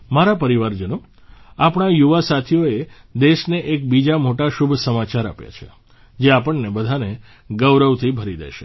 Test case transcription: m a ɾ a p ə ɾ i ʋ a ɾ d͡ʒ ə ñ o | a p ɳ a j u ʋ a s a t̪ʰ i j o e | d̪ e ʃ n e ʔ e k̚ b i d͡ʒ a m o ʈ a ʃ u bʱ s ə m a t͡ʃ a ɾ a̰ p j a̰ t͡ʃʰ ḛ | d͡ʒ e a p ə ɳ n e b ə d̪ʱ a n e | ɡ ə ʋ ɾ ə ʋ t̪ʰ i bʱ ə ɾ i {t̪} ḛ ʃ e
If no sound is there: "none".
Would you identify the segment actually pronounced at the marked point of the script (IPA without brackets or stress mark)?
d̪